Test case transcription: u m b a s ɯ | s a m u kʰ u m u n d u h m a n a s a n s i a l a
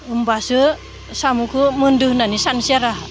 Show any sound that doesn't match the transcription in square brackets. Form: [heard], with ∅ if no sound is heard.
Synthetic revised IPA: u m b a s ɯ | s a m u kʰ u m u n d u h [n] a n [i] s a n s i a [ɾ] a